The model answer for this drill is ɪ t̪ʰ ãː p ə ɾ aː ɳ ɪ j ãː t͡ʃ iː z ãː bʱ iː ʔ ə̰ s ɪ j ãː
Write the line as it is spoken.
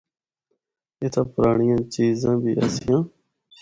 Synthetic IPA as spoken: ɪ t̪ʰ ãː p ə ɾ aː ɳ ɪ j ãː t͡ʃ iː z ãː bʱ iː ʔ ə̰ s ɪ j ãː